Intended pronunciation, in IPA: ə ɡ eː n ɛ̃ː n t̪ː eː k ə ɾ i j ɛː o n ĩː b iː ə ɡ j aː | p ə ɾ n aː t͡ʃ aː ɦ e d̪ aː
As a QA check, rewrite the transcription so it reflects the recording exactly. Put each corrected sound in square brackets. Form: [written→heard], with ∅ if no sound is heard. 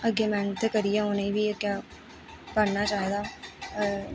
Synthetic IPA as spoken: ə ɡ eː [n→m] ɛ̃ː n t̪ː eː k ə ɾ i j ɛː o n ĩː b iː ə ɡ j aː | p ə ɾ n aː t͡ʃ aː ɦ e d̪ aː